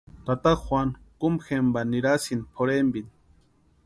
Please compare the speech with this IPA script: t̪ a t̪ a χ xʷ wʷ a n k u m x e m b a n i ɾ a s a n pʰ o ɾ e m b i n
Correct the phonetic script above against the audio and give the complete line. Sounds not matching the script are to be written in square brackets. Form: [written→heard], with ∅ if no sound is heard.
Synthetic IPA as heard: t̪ a t̪ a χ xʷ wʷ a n k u m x e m b a n i ɾ a s [a→i] n pʰ o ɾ e m b i n